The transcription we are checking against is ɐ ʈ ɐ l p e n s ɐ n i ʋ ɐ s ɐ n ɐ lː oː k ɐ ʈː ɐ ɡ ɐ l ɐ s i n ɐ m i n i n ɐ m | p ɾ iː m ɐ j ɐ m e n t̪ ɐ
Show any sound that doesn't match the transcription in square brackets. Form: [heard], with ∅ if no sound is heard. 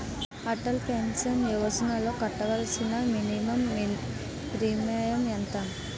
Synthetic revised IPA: ɐ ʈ ɐ l p e n s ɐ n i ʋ ɐ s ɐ n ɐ [l] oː k ɐ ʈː ɐ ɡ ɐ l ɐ s i n ɐ m i n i [m] ɐ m | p ɾ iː m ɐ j ɐ m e n t̪ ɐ